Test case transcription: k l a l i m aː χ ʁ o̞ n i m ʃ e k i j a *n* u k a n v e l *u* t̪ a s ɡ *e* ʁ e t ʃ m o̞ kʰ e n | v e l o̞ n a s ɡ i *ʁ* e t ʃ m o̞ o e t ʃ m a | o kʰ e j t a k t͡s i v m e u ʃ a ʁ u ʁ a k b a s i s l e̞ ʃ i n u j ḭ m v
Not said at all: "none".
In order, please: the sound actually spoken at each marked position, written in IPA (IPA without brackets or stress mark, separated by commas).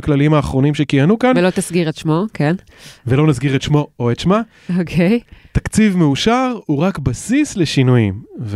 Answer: n, o, i, ʁ